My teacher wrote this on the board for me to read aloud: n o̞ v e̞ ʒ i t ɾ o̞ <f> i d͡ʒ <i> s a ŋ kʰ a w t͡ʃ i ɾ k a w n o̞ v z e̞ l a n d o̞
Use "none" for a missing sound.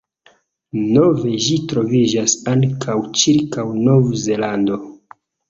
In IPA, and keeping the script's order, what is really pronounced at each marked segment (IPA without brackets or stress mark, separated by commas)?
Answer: v, a